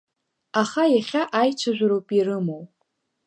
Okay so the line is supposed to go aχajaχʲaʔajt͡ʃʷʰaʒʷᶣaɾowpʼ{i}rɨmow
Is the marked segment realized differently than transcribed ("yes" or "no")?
no